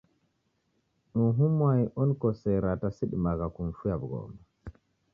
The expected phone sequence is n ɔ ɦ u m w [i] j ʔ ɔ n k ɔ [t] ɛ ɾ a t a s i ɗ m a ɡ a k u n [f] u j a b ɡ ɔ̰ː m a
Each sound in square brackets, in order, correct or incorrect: incorrect: a, incorrect: s, correct

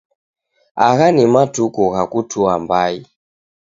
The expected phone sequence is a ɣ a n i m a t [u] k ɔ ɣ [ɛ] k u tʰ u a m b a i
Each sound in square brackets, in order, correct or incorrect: correct, incorrect: a

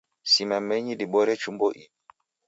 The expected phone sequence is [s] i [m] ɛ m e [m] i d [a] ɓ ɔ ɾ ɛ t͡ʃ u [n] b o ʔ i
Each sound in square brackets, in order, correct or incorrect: correct, correct, incorrect: ɲ, incorrect: i, incorrect: m

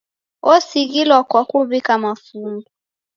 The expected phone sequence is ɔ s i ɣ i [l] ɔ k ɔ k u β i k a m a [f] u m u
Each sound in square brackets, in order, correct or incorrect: correct, correct

